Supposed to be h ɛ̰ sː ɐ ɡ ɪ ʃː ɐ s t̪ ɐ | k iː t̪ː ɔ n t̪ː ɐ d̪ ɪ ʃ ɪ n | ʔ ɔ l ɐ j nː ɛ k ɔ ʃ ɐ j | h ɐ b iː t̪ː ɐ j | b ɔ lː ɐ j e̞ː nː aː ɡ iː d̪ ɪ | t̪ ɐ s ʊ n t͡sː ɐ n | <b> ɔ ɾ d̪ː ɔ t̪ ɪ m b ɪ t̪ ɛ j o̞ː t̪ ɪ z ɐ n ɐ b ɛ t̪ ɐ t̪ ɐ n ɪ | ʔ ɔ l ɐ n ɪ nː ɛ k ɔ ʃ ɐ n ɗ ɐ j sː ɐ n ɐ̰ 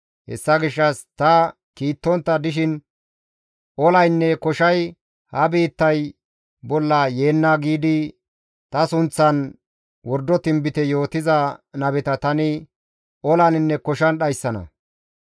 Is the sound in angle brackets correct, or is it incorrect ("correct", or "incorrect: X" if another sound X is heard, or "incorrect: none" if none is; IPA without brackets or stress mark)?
incorrect: w